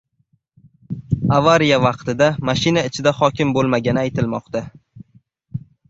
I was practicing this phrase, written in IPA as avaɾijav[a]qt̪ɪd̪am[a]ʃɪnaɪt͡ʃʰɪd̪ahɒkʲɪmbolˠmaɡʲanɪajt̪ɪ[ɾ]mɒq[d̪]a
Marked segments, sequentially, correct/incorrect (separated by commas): incorrect, correct, incorrect, incorrect